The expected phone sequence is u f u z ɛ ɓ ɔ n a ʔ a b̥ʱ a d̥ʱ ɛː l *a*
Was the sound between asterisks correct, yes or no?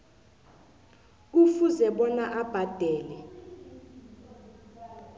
no